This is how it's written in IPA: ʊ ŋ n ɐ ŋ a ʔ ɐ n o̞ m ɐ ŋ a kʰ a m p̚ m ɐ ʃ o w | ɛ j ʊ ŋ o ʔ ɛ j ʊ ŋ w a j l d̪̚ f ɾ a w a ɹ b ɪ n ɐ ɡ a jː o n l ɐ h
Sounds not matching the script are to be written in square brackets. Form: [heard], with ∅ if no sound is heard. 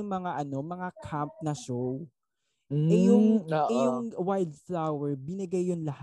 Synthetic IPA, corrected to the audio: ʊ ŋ [m] ɐ ŋ a ʔ ɐ n o̞ m ɐ ŋ a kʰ a m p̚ [n] ɐ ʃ o w | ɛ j ʊ ŋ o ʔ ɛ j ʊ ŋ w a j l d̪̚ f [l] a w [ɛ] ɹ b ɪ n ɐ ɡ a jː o n l ɐ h